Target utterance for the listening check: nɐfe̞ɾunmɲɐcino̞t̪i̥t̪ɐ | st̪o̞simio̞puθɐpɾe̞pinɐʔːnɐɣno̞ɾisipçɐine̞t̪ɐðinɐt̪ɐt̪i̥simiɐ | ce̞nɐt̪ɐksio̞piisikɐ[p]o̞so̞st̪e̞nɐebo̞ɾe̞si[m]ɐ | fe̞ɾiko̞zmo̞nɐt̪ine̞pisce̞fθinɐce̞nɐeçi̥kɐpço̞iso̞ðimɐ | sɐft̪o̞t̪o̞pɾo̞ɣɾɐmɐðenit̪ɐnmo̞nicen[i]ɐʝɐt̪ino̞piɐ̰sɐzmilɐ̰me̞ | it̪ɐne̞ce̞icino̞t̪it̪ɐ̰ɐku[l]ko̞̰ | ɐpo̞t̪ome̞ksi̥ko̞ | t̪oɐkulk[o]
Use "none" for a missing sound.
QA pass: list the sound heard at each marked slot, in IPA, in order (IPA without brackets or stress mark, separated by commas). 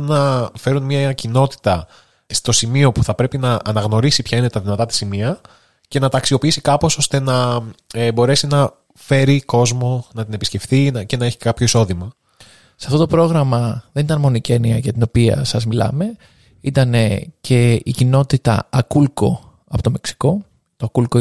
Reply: p, n, i, l, o